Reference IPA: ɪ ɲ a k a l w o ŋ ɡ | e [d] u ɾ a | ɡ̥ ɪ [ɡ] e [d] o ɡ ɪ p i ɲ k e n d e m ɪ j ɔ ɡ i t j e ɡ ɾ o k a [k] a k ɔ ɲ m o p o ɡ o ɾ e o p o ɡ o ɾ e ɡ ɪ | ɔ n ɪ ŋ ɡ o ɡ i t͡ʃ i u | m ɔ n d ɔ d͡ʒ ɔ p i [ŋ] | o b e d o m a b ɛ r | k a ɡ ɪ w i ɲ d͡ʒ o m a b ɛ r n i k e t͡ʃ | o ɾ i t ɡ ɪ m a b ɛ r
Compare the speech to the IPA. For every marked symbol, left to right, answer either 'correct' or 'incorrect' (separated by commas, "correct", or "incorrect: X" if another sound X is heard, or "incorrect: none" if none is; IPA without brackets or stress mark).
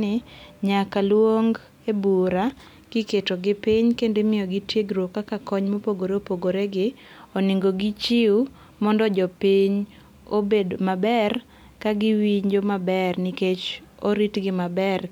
incorrect: b, incorrect: k, incorrect: t, correct, incorrect: ɲ